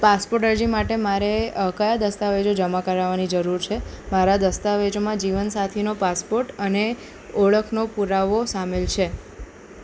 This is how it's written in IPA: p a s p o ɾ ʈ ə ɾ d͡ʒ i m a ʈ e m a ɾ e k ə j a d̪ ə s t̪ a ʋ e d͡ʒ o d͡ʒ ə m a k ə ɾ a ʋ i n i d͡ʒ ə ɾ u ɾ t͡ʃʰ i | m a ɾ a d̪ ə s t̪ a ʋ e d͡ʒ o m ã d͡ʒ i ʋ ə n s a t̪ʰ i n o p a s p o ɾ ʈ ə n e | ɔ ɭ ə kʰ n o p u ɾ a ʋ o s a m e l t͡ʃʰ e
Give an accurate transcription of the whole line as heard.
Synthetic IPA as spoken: p a s p o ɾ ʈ ə ɾ d͡ʒ i m a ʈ e m a ɾ e k ə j a d̪ ə s t̪ a ʋ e d͡ʒ o d͡ʒ ə m a k ə ɾ a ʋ a n i d͡ʒ ə ɾ u ɾ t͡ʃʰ e | m a ɾ a d̪ ə s t̪ a ʋ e d͡ʒ o m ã d͡ʒ i ʋ ə n s a t̪ʰ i n o p a s p o ɾ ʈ ə n e | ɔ ɭ ə kʰ n o p u ɾ a ʋ o s a m e l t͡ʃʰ e

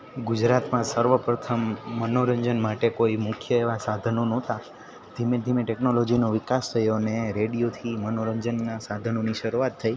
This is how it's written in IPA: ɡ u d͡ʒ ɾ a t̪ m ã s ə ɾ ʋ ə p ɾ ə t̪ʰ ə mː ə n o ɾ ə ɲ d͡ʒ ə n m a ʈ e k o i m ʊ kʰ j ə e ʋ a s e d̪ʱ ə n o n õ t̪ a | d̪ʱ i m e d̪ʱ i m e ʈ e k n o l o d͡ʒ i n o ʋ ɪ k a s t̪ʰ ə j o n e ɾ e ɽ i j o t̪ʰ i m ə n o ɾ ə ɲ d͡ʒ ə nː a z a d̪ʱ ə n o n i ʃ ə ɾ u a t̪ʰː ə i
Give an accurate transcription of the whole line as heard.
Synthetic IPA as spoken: ɡ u d͡ʒ ɾ a t̪ m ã s ə ɾ ʋ ə p ɾ ə t̪ʰ ə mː ə n o ɾ ə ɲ d͡ʒ ə n m a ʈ e k o i m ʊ kʰ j ə e ʋ a s a d̪ʱ ə n o n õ t̪ a | d̪ʱ i m e d̪ʱ i m e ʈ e k n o l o d͡ʒ i n o ʋ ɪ k a s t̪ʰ ə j o n e ɾ e ɽ i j o t̪ʰ i m ə n o ɾ ə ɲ d͡ʒ ə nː a s a d̪ʱ ə n o n i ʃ ə ɾ u a t̪ʰː ə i

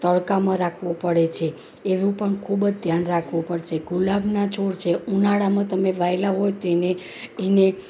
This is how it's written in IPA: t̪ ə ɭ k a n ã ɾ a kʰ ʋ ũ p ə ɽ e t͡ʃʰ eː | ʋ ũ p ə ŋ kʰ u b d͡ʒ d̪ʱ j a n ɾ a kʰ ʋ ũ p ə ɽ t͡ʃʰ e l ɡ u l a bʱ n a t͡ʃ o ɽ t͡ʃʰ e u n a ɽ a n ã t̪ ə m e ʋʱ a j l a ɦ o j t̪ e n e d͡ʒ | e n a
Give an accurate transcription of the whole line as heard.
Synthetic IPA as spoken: t̪ ə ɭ k a m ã ɾ a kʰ ʋ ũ p ə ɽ e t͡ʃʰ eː | ʋ ũ p ə ɳ kʰ u b d͡ʒ d̪ʱ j a n ɾ a kʰ ʋ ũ p ə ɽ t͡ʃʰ e ɡ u l a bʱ n a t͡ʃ o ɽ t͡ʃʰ e u n a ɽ a m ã t̪ ə m e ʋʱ a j l a ɦ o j t̪ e n e | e n e

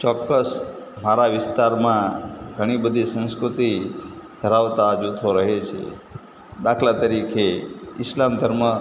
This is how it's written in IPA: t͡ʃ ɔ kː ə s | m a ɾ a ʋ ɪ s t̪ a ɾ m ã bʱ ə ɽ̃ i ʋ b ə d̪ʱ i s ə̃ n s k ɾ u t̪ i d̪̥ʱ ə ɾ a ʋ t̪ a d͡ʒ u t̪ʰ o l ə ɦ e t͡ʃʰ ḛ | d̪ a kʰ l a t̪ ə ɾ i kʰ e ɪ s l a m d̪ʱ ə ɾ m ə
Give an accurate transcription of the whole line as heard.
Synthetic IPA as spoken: t͡ʃ ɔ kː ə s | m a ɾ a ʋ ɪ s t̪ a ɾ m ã ɡʱ ə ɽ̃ i b ə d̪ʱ i s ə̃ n s k ɾ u t̪ i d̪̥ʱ ə ɾ a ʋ t̪ a d͡ʒ u t̪ʰ o ɾ ə ɦ e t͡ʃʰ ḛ | d̪ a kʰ l a t̪ ə ɾ i kʰ e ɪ s l a m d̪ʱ ə ɾ m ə

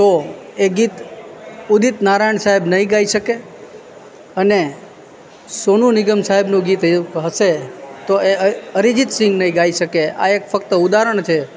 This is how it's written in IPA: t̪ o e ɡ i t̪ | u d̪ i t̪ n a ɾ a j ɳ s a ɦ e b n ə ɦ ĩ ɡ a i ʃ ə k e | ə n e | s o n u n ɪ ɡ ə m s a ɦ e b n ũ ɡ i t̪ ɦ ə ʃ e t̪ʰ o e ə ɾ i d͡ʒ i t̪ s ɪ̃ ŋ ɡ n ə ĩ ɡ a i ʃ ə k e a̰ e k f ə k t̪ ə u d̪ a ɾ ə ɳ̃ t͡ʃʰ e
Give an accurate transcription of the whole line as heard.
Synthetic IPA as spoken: t̪ o e ɡ i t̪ | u d̪ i t̪ n a ɾ a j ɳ s a ɦ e b n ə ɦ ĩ ɡ a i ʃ ə k e | ə n e | s o n u n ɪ ɡ ə m s a ɦ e b n ũ ɡ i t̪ ɦ ə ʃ e t̪ o e ə ɾ i d͡ʒ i t̪ s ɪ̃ ŋ ɡ n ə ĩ ɡ a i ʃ ə k e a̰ e k f ə k t̪ ə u d̪ a ɾ ə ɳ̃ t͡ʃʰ e

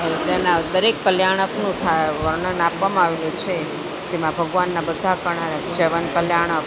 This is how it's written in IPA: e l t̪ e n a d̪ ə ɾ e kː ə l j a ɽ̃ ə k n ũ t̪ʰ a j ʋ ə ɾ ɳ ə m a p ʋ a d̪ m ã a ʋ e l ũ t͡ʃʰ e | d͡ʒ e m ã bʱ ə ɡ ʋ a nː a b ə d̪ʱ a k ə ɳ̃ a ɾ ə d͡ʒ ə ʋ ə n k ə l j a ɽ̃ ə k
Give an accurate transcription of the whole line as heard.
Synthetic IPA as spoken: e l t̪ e n a d̪ ə ɾ e kː ə l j a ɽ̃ ə k n ũ t̪ʰ a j ʋ ə ɾ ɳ ə n a p ʋ a m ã a ʋ e l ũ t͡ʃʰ e | d͡ʒ e m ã bʱ ə ɡ ʋ a nː a b ə d̪ʱ a k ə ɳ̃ a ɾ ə d͡ʒ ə ʋ ə n k ə l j a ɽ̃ ə k

